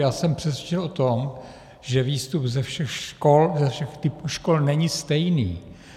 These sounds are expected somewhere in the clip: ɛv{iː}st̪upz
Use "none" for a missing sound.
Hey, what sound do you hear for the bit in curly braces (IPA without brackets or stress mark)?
iː